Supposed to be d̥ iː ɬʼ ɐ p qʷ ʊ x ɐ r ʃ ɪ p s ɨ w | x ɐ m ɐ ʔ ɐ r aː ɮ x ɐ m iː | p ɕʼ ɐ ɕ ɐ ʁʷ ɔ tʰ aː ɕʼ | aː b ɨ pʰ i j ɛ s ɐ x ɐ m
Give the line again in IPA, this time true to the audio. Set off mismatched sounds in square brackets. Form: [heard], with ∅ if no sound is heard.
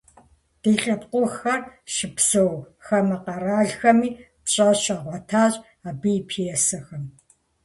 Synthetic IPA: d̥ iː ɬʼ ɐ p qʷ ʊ x ɐ r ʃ ɪ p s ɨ w | x ɐ m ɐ [q] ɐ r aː ɮ x ɐ m iː | p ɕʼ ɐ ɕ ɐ ʁʷ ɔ tʰ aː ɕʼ | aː b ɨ pʰ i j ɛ s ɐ x ɐ m